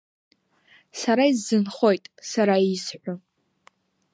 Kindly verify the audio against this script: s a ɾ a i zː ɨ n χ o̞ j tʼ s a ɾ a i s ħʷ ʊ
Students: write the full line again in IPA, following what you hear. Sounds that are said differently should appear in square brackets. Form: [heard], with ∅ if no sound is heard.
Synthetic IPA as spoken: s a ɾ a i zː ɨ n χ o̞ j tʼ s a ɾ a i s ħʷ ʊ